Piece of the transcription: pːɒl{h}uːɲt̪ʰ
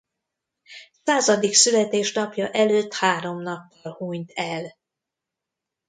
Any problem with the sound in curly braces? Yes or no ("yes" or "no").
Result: no